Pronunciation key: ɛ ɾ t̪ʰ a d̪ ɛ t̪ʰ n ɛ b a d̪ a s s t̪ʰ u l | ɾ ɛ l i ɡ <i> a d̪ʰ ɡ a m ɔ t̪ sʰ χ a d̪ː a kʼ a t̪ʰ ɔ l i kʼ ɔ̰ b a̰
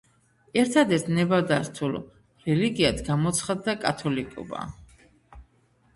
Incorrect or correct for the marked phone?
correct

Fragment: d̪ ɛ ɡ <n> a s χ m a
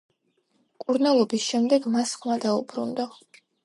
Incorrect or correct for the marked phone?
incorrect: m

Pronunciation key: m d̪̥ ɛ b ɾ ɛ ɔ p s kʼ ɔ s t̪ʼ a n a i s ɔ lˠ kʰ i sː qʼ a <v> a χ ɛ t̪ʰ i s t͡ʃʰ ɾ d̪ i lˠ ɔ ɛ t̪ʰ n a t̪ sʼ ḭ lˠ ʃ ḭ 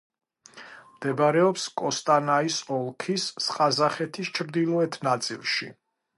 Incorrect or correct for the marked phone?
incorrect: z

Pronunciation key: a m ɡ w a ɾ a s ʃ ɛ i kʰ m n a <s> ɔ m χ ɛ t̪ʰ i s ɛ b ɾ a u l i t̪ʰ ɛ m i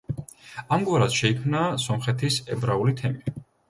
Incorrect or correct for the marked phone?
correct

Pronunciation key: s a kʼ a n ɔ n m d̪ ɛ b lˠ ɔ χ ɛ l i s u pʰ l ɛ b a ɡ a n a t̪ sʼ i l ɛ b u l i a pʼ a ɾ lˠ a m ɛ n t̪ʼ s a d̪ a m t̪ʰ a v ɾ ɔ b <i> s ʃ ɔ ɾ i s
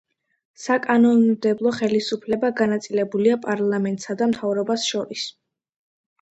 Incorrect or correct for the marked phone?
incorrect: a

